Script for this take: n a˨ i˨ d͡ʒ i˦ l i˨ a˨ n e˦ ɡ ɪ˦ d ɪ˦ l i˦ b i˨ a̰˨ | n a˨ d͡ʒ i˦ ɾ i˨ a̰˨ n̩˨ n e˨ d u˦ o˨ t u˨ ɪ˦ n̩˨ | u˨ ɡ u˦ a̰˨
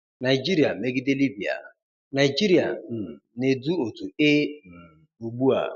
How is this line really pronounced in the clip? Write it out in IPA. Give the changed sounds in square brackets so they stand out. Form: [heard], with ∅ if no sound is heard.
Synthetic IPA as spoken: n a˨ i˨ d͡ʒ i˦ [ɾ] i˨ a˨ [m] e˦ ɡ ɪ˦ d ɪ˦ l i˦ b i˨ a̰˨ | n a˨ d͡ʒ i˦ ɾ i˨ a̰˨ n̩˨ n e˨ d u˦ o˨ t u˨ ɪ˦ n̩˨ | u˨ [ɡ͡b] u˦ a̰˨